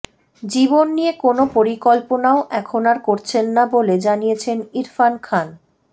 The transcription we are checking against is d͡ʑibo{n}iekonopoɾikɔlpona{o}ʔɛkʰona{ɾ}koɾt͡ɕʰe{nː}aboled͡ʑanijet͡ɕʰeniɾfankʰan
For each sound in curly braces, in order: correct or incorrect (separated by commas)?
incorrect, correct, correct, correct